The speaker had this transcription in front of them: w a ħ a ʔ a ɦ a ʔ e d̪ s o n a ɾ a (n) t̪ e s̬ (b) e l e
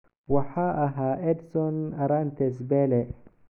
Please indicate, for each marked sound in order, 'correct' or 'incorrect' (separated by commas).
correct, correct